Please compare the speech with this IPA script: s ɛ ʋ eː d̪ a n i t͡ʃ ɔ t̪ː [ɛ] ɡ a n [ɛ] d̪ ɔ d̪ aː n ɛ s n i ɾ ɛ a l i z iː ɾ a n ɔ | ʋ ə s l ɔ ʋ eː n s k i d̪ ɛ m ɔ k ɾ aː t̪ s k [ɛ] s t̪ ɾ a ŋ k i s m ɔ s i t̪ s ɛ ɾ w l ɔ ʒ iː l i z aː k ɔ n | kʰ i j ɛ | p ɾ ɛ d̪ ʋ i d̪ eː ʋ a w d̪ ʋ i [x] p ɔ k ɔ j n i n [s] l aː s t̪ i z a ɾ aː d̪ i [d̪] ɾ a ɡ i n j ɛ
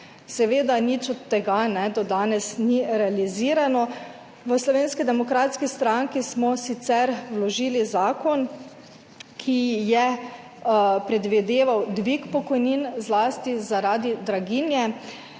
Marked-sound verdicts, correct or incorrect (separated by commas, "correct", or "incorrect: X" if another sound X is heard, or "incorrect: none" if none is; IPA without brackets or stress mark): correct, correct, incorrect: i, incorrect: k, incorrect: z, correct